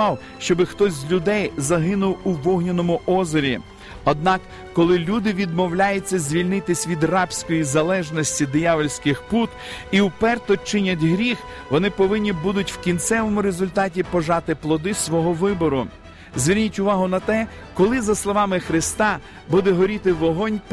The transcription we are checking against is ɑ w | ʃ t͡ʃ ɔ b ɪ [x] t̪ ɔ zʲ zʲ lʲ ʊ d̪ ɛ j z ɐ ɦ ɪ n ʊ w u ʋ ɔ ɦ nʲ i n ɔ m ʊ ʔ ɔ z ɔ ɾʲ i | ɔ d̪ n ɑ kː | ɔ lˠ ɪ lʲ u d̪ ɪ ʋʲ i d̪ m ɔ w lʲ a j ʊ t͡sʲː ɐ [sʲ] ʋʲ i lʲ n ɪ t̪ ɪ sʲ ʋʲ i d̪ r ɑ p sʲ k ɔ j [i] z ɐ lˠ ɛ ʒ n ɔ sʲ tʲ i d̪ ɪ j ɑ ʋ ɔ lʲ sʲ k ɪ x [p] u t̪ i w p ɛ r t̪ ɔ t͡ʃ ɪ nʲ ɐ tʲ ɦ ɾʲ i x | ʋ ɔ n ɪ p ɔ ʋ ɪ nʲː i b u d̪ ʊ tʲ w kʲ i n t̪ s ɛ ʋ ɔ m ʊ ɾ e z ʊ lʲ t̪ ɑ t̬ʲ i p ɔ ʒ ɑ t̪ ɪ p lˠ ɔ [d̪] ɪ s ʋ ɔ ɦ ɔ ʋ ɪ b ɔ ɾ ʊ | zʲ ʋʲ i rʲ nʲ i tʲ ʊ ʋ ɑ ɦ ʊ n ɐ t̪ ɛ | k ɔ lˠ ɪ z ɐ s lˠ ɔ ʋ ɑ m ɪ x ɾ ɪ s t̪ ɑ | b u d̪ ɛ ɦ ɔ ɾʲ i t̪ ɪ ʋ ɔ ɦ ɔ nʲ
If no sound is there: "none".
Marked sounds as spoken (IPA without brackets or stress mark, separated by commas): x, zʲ, i, p, d̪